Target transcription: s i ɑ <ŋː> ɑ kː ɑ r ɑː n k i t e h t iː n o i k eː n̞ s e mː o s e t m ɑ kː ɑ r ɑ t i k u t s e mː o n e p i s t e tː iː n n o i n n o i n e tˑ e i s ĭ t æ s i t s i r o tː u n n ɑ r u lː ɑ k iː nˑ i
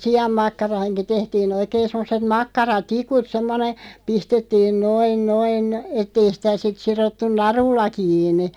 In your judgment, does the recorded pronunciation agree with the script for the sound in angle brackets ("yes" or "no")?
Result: no